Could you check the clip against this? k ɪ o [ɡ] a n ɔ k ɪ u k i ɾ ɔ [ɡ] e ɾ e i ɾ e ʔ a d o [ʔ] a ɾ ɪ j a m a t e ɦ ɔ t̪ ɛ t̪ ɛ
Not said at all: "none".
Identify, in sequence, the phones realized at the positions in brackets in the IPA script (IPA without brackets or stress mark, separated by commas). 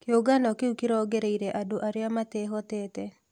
ɡ, ɡ, ʔ